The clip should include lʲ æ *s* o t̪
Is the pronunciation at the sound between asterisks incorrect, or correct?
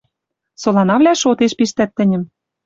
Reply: incorrect